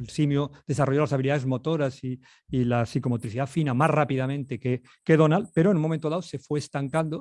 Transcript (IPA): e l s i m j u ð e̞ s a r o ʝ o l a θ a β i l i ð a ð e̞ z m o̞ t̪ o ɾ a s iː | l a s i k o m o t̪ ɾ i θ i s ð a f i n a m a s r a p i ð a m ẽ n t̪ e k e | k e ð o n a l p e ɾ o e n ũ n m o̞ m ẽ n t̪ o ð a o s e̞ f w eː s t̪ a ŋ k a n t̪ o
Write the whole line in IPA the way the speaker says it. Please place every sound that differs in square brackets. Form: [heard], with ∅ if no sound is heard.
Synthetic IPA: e l s i m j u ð e̞ s a r o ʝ o l a [s] a β i l i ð a ð e̞ z m o̞ t̪ o ɾ a s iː | l a s i k o m o t̪ ɾ i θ i [∅] ð a f i n a m a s r a p i ð a m ẽ n t̪ e k e | k e ð o n a l p e ɾ o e n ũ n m o̞ m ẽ n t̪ o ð a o s e̞ f w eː s t̪ a ŋ k a n [d̪] o